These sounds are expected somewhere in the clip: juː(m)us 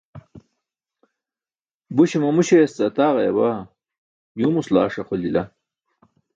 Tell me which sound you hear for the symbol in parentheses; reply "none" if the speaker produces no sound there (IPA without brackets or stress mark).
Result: m